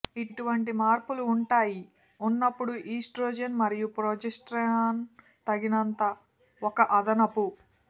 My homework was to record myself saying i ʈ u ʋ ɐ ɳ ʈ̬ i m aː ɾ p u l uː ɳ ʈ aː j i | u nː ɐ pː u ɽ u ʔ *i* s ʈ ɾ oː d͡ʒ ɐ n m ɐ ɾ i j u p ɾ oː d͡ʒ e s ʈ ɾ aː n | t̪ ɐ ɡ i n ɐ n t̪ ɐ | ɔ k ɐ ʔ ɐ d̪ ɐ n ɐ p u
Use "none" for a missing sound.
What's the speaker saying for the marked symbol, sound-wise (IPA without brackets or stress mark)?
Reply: iː